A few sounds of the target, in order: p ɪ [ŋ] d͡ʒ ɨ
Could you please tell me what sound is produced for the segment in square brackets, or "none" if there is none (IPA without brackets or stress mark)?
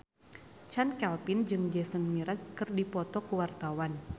n